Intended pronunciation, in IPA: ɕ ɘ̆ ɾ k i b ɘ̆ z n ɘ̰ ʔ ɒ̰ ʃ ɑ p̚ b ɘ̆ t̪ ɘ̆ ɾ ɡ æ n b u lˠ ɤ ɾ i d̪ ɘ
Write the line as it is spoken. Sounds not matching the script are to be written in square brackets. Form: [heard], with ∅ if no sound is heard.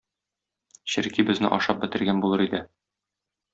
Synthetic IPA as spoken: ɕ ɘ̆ ɾ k i b ɘ̆ z n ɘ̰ ʔ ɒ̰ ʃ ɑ p̚ b ɘ̆ t̪ ɘ̆ ɾ ɡ æ n b u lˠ ɤ ɾ i d̪ ɘ